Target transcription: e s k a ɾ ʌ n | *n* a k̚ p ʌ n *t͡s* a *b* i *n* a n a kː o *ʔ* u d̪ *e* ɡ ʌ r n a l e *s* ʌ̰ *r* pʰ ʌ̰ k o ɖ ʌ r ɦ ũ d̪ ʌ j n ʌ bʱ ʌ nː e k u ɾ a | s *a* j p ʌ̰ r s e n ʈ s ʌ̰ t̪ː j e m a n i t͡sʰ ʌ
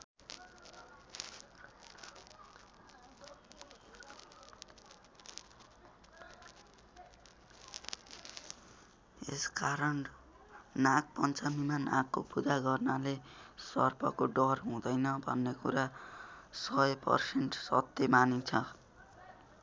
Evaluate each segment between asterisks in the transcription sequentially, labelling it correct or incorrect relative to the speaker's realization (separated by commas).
correct, correct, incorrect, incorrect, incorrect, incorrect, correct, correct, incorrect